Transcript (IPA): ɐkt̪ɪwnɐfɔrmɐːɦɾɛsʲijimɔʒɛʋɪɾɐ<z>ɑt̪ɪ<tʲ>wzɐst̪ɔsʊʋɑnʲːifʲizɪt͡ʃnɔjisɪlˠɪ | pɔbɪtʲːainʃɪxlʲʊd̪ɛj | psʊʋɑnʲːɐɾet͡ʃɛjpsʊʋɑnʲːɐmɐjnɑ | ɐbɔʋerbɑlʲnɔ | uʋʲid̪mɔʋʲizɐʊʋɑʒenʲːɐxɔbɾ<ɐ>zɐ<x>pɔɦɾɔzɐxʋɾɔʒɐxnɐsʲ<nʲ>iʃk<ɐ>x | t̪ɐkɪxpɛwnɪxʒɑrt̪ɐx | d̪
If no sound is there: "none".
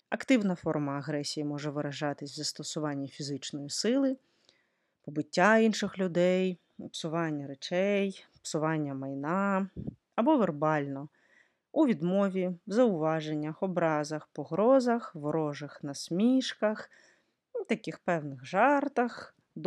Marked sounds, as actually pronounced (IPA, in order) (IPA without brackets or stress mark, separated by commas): ʒ, sʲ, ɑ, x, mʲ, ɐ